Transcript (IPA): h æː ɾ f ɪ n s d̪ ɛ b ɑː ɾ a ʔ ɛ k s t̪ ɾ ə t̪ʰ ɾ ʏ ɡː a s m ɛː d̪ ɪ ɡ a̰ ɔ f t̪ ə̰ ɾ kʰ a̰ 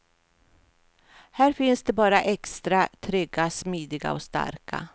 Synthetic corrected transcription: h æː ɾ f ɪ n s d̪ ɛ b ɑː ɾ a ʔ ɛ k s t̪ ɾ a t̪ʰ ɾ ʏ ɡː a s m iː d̪ ɪ ɡ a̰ ɔ s t̪ a̰ ɾ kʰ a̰